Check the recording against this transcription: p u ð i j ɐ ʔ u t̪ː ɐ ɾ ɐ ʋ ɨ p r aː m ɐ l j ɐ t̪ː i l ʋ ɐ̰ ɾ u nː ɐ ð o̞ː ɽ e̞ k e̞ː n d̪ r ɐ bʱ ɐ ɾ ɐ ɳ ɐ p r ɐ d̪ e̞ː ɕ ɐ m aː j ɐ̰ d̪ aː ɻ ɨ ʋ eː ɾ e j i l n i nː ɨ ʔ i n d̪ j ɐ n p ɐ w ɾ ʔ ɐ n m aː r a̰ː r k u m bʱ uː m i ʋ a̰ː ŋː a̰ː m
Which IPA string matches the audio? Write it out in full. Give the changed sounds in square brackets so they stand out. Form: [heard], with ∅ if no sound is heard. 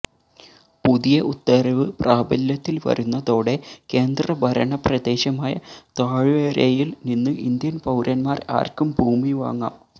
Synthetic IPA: p u ð i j ɐ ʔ u t̪ː ɐ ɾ ɐ ʋ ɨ p r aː [b] ɐ l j ɐ t̪ː i l ʋ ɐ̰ ɾ u nː ɐ ð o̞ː ɽ e̞ k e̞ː n d̪ r ɐ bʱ ɐ ɾ ɐ ɳ ɐ p r ɐ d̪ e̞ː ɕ ɐ m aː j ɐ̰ [t̪] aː ɻ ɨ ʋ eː ɾ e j i l n i nː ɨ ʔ i n d̪ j ɐ n p ɐ w ɾ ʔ ɐ n m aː r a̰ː r k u m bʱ uː m i ʋ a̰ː ŋː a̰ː m